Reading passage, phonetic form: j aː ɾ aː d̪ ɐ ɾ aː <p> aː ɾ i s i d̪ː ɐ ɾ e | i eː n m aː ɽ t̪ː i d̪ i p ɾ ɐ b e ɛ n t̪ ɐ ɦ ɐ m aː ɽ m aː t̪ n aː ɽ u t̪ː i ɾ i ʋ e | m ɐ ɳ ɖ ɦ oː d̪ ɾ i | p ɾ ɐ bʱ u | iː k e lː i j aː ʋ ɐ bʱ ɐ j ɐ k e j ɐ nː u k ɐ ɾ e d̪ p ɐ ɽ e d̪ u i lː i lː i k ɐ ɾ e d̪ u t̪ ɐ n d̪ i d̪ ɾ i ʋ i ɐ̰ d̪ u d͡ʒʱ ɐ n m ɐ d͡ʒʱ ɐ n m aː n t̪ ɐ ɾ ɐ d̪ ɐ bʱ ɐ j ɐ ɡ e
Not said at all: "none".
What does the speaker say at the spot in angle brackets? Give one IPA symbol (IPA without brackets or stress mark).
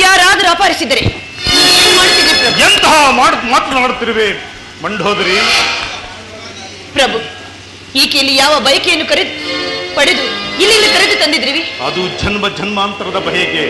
p